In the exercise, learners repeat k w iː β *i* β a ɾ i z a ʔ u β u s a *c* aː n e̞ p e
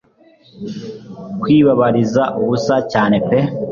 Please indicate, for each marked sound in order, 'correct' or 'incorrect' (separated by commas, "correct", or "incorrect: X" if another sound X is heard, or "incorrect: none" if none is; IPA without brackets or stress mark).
incorrect: a, correct